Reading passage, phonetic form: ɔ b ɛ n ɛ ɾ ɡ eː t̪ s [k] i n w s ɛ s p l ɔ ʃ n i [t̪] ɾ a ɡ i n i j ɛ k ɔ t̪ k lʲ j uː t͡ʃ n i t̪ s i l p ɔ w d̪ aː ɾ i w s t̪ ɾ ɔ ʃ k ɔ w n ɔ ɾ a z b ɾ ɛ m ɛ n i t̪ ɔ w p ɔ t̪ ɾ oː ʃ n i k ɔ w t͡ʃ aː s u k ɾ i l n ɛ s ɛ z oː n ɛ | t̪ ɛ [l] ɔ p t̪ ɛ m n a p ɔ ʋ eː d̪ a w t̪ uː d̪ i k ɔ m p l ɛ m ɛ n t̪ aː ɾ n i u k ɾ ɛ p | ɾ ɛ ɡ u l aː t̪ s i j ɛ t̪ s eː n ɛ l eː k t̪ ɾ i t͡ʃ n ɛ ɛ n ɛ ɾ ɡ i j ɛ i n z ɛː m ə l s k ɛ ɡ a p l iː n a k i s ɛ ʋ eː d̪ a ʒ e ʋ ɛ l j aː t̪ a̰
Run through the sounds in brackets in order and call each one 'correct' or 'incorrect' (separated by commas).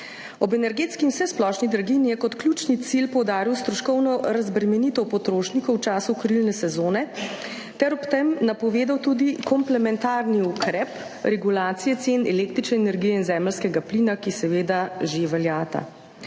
correct, incorrect, incorrect